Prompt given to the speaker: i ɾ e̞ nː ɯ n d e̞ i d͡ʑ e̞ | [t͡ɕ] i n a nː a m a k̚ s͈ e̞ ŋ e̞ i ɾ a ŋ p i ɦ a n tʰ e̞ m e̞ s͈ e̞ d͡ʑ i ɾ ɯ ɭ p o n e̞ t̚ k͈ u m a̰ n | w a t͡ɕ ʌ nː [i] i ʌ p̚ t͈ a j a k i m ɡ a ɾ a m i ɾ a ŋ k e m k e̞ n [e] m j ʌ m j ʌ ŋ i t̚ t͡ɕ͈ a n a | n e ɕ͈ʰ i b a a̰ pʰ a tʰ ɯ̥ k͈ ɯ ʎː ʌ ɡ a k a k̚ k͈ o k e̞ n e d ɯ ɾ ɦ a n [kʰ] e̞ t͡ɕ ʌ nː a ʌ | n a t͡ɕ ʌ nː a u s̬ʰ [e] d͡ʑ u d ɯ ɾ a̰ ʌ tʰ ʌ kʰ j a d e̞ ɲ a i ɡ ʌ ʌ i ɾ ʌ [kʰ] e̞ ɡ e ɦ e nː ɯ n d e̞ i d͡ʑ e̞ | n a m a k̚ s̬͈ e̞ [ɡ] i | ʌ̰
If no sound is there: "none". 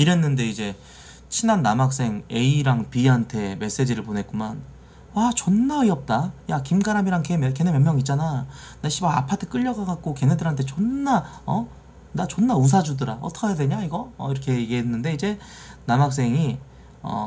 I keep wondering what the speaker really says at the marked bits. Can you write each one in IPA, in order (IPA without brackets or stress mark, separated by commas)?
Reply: t͡ɕʰ, a, e, tʰ, a, kʰ, ŋ